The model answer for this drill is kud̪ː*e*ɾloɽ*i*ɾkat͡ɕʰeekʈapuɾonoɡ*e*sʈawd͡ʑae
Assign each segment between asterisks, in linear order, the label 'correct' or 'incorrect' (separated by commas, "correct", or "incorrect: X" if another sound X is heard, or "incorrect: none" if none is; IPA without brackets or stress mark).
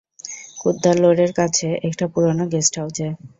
incorrect: a, incorrect: e, correct